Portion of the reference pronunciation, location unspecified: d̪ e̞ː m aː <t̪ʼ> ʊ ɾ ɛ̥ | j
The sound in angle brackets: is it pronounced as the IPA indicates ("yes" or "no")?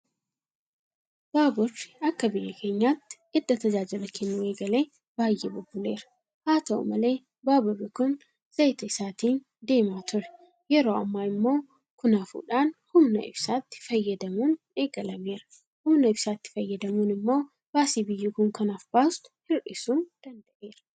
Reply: no